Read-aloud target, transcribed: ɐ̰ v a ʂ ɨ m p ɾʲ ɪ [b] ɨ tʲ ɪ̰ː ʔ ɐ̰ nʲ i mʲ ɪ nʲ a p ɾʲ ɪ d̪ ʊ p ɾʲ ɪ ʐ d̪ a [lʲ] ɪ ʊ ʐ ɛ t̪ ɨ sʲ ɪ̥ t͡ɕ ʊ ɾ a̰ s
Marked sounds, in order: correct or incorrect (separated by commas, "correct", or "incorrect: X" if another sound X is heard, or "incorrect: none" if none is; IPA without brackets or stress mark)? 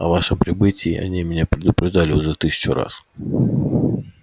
correct, correct